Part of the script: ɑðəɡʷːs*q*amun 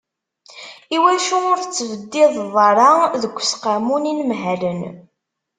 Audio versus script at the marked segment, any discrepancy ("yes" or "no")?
no